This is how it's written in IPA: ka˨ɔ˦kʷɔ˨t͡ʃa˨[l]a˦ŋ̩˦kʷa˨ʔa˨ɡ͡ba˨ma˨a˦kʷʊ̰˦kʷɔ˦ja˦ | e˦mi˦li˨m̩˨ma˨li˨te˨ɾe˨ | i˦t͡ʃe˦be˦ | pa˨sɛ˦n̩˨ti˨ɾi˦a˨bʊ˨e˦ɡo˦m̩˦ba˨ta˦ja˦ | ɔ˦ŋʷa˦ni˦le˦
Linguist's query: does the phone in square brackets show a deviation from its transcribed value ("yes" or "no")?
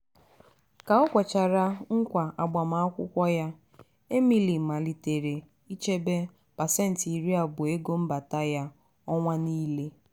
yes